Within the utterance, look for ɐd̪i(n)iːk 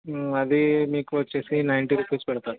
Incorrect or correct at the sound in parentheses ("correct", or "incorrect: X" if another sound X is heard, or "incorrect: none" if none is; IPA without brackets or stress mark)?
incorrect: m